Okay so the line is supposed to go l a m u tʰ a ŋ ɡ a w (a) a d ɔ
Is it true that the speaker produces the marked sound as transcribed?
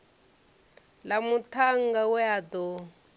no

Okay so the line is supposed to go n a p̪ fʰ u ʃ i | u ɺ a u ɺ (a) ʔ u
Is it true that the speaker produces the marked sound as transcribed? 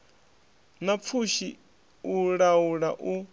yes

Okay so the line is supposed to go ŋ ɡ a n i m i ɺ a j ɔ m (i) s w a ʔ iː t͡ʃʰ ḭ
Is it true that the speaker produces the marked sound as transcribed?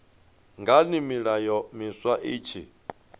yes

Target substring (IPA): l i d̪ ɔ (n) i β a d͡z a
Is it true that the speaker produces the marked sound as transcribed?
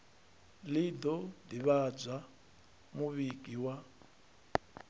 no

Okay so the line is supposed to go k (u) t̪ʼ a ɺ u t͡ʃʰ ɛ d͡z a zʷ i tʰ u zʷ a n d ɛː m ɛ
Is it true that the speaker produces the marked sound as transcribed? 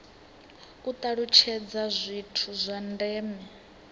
yes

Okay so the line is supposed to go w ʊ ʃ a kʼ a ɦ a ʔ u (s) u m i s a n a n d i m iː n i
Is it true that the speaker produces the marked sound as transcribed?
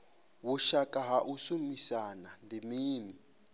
yes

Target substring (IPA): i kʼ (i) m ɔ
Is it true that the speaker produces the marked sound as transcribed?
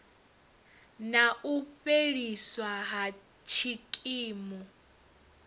no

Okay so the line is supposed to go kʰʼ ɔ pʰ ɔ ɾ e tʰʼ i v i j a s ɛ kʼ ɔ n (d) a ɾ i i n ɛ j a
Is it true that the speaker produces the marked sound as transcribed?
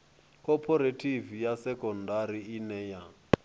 yes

